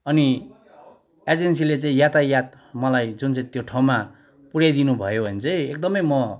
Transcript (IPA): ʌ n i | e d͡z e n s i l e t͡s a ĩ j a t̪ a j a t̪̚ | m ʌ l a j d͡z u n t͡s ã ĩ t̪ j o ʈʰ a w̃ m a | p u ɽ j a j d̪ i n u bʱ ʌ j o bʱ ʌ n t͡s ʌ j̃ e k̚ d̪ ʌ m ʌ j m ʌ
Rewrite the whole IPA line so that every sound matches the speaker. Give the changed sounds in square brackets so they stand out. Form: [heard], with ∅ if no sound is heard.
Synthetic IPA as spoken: ʌ n i | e d͡z e n s i l e t͡s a ĩ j a t̪ a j a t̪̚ | m ʌ l a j d͡z u n t͡s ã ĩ t̪ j o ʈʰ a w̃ m a | p u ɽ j a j d̪ i n u bʱ ʌ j o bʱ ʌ n t͡s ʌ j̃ e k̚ d̪ ʌ m ʌ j m ʌ

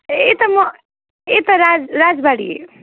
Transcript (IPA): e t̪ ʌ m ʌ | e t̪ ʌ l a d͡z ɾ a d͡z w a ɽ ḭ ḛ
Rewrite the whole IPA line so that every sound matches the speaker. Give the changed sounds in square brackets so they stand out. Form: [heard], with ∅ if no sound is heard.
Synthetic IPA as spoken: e t̪ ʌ m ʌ | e t̪ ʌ [ɾ] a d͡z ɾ a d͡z [b] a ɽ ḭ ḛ

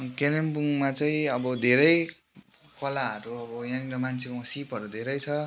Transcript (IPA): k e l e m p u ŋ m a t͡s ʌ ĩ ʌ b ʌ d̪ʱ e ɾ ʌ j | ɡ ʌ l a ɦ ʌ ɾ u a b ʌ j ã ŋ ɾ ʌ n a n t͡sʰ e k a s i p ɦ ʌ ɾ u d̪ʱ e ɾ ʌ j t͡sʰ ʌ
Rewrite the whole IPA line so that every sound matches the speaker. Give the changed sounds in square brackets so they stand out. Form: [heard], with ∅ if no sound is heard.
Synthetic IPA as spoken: k e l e m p u ŋ m a t͡s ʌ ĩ ʌ b ʌ d̪ʱ e ɾ ʌ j | [k] ʌ l a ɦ ʌ ɾ u [ʌ] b ʌ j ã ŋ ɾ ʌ [m] a n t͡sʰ e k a s i p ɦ ʌ ɾ u d̪ʱ e ɾ ʌ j t͡sʰ ʌ

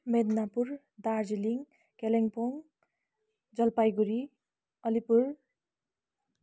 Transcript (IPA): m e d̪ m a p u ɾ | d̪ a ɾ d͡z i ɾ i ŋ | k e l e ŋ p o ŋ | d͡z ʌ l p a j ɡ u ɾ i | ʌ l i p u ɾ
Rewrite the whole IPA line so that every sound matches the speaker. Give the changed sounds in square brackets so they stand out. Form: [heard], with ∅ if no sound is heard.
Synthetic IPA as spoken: m e d̪ [n] a p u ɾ | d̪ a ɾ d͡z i [l] i ŋ | k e l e ŋ p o ŋ | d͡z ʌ l p a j ɡ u ɾ i | ʌ l i p u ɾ

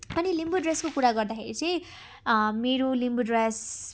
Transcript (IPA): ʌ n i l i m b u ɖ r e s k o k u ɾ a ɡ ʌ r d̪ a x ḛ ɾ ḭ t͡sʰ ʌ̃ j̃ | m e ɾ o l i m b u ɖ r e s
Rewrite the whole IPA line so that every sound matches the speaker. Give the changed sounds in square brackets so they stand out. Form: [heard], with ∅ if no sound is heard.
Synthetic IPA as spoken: ʌ n i l i m b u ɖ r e s k o k u ɾ a ɡ ʌ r d̪ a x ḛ ɾ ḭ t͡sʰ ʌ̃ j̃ | m e ɾ o l i m b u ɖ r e s

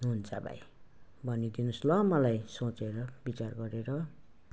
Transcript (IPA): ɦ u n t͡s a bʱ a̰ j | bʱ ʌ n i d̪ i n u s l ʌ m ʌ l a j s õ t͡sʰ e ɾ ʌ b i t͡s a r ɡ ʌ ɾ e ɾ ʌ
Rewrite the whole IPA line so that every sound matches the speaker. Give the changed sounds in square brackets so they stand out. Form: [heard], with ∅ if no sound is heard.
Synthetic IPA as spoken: ɦ u n t͡s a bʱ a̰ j | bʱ ʌ n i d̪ i n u s l ʌ m ʌ l a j s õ [t͡s] e ɾ ʌ b i t͡s a r ɡ ʌ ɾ e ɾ ʌ

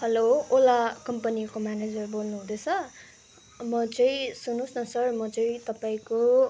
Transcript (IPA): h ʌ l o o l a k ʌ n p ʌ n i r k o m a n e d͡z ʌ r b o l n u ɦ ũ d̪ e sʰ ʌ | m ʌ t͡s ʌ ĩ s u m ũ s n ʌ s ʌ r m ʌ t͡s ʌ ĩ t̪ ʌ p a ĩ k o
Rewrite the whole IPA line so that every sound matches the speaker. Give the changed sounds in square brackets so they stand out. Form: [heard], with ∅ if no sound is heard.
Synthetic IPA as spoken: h ʌ l o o l a k ʌ [m] p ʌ n i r k o m a n e d͡z ʌ r b o l n u ɦ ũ d̪ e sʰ ʌ | m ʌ t͡s ʌ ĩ s u [n] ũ s n ʌ s ʌ r m ʌ t͡s ʌ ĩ t̪ ʌ p a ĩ k o

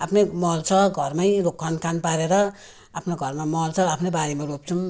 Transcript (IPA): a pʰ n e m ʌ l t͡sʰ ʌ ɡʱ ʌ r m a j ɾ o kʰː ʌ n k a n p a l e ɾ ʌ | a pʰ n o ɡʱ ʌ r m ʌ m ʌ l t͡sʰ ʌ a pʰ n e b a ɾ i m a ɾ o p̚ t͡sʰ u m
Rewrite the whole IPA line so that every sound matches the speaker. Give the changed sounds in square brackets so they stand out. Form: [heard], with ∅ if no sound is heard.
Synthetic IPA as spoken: a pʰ n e m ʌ l t͡sʰ ʌ ɡʱ ʌ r m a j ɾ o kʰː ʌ n k a n p a [ɾ] e ɾ ʌ | a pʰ n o ɡʱ ʌ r m [a] m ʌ l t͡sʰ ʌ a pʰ n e b a ɾ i m a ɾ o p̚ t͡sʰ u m

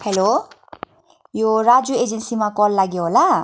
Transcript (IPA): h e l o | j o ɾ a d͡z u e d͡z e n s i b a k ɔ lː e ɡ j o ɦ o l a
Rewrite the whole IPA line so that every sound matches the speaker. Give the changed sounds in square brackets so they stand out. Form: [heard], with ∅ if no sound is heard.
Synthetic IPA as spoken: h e l o | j o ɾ a d͡z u e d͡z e n s i [m] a k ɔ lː [a] ɡ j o ɦ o l a

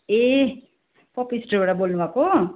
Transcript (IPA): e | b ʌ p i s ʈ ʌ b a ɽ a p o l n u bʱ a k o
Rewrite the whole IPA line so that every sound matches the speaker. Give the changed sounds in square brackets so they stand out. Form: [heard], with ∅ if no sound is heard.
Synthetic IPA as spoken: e | [p] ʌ p i s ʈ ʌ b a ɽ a [b] o l n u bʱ a k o

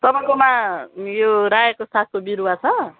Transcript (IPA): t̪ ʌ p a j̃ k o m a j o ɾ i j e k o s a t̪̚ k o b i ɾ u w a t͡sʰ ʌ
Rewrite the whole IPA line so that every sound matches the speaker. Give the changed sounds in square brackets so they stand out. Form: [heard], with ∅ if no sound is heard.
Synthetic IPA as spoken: t̪ ʌ p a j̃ k o m a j o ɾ [a] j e k o s a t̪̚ k o b i ɾ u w a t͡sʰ ʌ

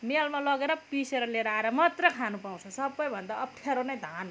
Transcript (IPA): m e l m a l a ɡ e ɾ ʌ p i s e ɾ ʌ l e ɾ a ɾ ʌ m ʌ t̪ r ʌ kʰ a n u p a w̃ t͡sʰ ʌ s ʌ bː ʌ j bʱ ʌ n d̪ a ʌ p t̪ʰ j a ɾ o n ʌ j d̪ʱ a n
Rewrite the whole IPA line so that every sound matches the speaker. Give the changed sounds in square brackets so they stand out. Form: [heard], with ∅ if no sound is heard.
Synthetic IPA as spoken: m e l m a l [ʌ] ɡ e ɾ ʌ p i s e ɾ ʌ l e ɾ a ɾ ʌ m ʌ t̪ r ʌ kʰ a n u p a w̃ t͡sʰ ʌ s ʌ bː ʌ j bʱ ʌ n d̪ a ʌ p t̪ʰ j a ɾ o n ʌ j d̪ʱ a n

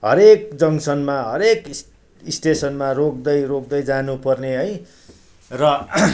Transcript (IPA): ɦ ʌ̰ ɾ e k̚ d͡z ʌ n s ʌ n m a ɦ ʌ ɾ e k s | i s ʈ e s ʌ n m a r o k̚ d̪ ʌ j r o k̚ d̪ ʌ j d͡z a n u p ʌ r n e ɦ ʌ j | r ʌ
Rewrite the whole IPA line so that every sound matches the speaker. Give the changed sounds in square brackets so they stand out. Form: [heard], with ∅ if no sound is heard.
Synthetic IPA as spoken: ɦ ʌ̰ ɾ e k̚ d͡z ʌ [ŋ] s ʌ n m a ɦ ʌ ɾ e k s | i s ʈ e s ʌ n m a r o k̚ d̪ ʌ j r o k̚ d̪ ʌ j d͡z a n u p ʌ r n e ɦ ʌ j | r ʌ

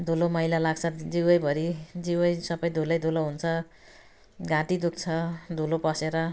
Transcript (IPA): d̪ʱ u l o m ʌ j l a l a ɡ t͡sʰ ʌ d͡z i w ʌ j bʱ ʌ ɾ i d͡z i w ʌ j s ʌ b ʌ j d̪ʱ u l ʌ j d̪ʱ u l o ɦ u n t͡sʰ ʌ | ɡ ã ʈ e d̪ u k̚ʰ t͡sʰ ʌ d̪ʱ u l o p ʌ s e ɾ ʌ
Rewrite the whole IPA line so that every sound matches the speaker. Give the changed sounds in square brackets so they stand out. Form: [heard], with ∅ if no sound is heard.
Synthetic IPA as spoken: d̪ʱ u l o m ʌ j l a l a ɡ t͡sʰ ʌ d͡z i w ʌ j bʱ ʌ ɾ i d͡z i w ʌ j s ʌ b ʌ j d̪ʱ u l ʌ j d̪ʱ u l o ɦ u n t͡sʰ ʌ | ɡ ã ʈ [i] d̪ u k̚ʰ t͡sʰ ʌ d̪ʱ u l o p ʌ s e ɾ ʌ

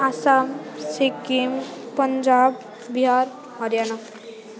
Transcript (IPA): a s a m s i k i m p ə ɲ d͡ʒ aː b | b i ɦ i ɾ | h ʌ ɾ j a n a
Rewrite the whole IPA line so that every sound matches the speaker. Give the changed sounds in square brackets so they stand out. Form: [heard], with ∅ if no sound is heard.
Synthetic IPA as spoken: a s a m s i k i m p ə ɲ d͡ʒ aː b | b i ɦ [a] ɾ | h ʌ ɾ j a n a

